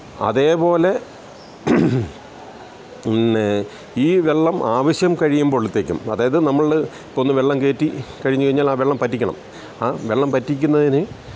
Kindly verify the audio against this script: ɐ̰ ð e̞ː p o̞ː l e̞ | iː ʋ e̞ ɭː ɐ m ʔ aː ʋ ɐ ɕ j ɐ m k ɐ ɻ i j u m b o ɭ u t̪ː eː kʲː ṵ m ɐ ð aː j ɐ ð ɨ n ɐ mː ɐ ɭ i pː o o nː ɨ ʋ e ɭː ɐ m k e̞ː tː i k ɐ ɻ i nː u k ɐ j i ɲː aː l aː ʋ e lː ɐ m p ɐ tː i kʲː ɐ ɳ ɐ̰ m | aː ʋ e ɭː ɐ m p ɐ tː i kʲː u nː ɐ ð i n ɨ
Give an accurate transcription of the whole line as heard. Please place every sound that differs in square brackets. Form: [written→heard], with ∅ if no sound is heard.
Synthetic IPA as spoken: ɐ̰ ð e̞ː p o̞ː l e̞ | iː ʋ e̞ ɭː ɐ m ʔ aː ʋ ɐ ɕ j ɐ m k ɐ ɻ i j u m b o ɭ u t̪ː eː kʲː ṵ m ɐ ð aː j ɐ ð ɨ n ɐ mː ɐ ɭ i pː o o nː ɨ ʋ e ɭː ɐ m k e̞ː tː i k ɐ ɻ i [nː→ɲː] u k ɐ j i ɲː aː l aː ʋ e [lː→ɭː] ɐ m p ɐ tː i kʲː ɐ ɳ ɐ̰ m | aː ʋ e ɭː ɐ m p ɐ tː i kʲː u nː ɐ ð i n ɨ